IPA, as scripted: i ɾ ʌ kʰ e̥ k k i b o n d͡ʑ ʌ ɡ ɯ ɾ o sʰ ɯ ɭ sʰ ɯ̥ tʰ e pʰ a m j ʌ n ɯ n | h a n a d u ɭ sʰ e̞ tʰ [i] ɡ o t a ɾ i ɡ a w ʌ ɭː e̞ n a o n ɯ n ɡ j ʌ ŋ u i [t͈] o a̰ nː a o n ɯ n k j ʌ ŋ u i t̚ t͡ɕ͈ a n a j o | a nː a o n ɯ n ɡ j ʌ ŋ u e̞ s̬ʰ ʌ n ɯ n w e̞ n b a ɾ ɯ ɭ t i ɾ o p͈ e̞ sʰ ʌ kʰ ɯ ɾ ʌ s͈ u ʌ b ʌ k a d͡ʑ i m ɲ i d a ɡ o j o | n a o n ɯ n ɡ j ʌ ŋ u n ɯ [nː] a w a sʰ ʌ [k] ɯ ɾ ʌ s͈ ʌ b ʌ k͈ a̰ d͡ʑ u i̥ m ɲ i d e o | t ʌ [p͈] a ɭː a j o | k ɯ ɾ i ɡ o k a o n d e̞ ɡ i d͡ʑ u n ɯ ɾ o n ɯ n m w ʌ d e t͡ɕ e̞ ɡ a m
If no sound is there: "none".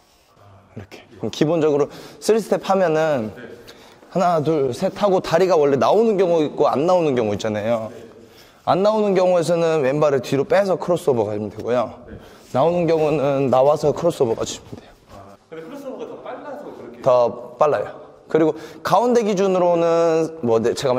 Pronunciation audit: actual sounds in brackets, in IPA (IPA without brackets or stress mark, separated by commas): a, k͈, nː, kʰ, p͈